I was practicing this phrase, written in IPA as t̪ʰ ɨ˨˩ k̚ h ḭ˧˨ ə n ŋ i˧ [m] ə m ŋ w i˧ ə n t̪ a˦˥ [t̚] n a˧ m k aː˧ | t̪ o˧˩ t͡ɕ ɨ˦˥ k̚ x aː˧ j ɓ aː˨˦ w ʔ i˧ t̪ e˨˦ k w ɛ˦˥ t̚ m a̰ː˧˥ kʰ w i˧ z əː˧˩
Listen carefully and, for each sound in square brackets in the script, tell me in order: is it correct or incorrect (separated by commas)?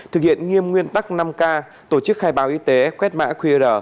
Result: incorrect, incorrect